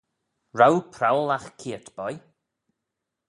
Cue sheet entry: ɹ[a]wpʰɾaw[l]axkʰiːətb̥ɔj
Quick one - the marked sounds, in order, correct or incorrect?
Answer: correct, correct

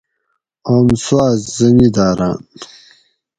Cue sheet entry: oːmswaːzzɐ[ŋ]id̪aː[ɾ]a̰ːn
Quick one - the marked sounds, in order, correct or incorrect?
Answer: incorrect: n, correct

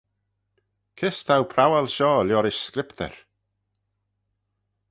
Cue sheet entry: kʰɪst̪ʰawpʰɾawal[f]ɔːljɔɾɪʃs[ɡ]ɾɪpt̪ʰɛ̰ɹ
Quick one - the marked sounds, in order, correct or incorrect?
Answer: incorrect: ʃ, incorrect: k

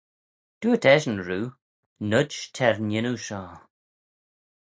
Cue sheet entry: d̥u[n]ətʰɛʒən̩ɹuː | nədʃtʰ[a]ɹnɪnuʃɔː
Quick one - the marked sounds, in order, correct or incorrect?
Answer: incorrect: none, incorrect: ɛ

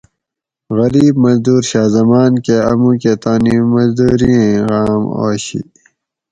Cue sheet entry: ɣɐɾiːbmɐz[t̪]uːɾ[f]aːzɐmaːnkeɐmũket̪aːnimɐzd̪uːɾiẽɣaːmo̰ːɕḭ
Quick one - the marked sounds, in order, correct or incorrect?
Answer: incorrect: d̪, incorrect: ɕ

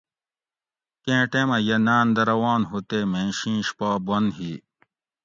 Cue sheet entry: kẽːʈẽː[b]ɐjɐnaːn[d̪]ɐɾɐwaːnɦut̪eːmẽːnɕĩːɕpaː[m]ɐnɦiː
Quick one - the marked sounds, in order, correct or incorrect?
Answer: incorrect: m, correct, incorrect: b

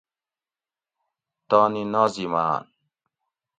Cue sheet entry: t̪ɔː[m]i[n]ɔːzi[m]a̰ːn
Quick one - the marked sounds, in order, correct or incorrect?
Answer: incorrect: n, correct, correct

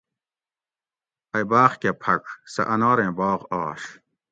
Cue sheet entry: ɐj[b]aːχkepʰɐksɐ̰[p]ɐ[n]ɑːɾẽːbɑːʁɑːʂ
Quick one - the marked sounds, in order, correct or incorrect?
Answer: correct, incorrect: ʔ, correct

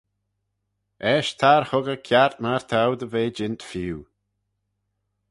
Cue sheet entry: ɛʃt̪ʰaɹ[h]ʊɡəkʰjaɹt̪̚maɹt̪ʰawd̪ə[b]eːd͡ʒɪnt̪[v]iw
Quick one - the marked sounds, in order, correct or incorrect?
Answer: correct, incorrect: v, incorrect: f

